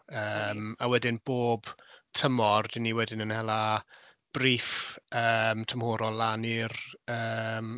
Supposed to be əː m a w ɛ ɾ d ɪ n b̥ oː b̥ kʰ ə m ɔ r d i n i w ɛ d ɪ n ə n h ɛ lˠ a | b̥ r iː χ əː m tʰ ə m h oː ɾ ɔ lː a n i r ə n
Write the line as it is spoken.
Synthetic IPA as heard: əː m a w ɛ d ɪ n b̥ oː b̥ tʰ ə m ɔ r d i n i w ɛ d ɪ n ə n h ɛ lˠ a | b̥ r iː f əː m tʰ ə m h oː ɾ ɔ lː a n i r ə m